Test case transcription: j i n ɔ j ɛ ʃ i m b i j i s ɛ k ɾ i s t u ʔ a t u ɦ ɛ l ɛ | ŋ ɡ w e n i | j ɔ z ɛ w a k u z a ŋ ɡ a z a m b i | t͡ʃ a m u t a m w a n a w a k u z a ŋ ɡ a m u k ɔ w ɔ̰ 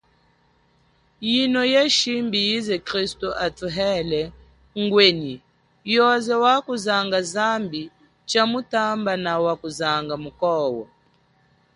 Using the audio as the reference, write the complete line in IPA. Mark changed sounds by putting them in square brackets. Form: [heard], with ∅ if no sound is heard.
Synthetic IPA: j i n ɔ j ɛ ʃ i m b i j i [z] ɛ k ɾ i s t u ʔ a t u ɦ ɛ l ɛ | ŋ ɡ w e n i | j ɔ z ɛ w a k u z a ŋ ɡ a z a m b i | t͡ʃ a m u t a m [b] a n a w a k u z a ŋ ɡ a m u k ɔ w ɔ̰